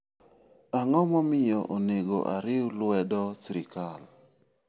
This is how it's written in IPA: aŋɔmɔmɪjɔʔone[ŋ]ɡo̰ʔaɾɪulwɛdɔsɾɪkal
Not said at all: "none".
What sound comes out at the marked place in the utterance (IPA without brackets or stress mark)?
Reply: none